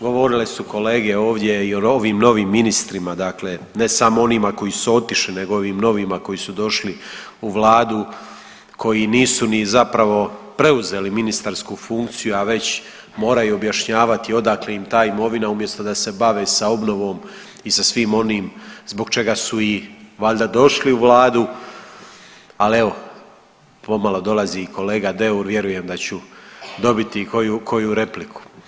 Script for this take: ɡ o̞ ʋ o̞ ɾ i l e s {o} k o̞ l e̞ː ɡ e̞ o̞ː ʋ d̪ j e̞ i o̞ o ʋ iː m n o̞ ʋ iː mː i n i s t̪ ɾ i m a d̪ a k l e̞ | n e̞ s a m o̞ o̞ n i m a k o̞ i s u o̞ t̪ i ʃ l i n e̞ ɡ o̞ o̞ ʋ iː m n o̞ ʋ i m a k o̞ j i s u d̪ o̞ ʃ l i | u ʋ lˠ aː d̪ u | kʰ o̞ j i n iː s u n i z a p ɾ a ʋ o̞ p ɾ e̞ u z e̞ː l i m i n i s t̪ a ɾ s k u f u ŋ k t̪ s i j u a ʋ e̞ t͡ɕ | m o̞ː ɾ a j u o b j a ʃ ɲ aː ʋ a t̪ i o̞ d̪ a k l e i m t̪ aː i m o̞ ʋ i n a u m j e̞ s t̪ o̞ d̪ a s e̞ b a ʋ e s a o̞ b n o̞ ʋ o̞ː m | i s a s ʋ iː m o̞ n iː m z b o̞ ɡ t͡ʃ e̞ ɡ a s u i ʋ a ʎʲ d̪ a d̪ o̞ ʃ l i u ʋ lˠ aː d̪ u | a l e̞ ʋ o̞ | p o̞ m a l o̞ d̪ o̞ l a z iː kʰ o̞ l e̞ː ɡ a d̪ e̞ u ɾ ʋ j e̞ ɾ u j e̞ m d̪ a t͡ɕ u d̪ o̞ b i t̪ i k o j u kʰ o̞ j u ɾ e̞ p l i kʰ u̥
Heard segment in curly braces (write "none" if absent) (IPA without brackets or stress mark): u